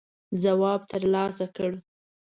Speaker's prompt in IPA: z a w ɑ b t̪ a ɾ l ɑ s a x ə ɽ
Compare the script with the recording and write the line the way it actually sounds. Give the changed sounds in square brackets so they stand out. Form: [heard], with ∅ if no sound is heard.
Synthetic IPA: z a w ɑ b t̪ [ə] ɾ l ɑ s a [k] ə ɽ